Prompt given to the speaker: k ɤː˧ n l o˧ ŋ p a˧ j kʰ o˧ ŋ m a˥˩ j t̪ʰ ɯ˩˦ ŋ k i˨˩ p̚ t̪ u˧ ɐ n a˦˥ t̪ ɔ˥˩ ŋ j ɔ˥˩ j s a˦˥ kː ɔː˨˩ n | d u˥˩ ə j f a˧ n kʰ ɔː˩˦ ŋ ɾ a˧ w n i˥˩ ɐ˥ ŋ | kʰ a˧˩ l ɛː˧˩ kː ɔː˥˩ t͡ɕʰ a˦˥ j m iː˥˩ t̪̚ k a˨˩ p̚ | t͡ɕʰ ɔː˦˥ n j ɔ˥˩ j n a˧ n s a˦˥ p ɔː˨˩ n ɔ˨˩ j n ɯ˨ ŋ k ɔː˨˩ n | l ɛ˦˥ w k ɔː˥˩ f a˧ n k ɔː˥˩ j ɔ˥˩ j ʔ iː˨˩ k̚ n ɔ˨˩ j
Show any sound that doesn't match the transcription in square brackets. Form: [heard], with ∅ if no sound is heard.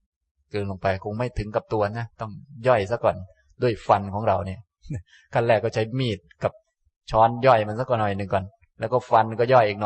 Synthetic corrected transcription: k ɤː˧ n l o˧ ŋ p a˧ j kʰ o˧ ŋ m a˥˩ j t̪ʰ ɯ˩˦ ŋ k [a˨˩] p̚ t̪ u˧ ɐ n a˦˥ t̪ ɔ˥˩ ŋ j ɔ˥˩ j s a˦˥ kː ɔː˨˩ n | d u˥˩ ə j f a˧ n kʰ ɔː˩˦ ŋ ɾ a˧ w n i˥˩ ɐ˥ [∅] | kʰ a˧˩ l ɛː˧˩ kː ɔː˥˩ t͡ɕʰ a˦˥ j m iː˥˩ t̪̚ k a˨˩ p̚ | t͡ɕʰ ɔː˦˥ n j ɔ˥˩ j [m] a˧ n s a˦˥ [k] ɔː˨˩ n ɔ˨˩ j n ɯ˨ ŋ k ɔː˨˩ n | l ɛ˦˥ w k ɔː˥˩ f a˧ n k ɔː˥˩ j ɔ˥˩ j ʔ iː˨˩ k̚ n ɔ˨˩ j